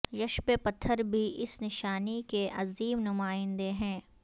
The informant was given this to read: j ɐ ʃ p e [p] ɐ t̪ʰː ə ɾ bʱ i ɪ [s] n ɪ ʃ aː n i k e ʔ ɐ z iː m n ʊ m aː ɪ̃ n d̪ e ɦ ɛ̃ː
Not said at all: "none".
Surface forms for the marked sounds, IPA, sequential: p, s

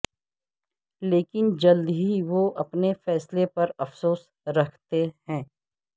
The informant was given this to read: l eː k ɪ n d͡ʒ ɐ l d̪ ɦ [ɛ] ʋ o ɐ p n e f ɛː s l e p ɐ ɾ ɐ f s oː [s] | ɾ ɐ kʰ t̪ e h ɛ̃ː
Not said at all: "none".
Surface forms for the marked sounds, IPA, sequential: i, s

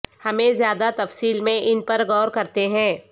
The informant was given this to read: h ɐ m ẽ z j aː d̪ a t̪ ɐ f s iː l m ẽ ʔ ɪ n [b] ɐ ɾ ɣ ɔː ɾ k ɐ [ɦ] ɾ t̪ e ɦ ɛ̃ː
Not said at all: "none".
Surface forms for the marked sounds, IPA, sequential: p, none

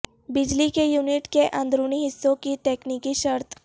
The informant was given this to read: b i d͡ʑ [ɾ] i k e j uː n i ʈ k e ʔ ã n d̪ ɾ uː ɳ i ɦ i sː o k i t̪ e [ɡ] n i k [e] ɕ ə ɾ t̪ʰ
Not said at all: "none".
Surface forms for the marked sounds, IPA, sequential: l, k, i

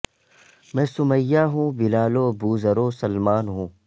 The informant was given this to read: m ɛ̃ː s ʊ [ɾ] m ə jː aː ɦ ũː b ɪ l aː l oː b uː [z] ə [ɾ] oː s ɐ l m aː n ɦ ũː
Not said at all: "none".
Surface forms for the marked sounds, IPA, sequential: none, z, ɾ

